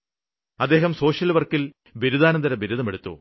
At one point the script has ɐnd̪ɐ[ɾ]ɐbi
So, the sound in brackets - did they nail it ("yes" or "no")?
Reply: yes